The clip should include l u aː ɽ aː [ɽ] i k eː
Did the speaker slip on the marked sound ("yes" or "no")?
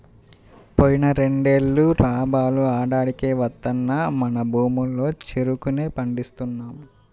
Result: no